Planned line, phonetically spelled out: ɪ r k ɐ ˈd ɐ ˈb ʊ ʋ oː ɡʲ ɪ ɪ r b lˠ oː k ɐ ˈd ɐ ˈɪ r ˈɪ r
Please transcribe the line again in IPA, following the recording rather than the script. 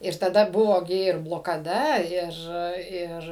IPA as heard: ɪ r t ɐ ˈd ɐ ˈb ʊ ʋ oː ɡʲ ɪ ɪ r b lˠ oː k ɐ ˈd ɐ ˈɪ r ˈɪ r